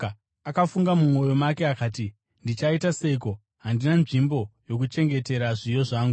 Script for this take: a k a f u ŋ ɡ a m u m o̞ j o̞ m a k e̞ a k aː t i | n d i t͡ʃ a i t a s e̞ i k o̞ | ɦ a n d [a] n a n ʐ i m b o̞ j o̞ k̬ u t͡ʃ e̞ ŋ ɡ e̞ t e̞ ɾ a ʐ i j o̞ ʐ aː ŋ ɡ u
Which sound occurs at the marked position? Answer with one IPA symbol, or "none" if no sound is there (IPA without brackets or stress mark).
i